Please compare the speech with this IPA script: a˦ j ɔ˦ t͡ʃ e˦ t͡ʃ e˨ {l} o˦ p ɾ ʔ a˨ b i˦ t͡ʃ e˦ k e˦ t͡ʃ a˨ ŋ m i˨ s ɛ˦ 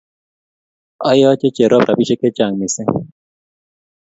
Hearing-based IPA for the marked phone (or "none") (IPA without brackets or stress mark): ɾ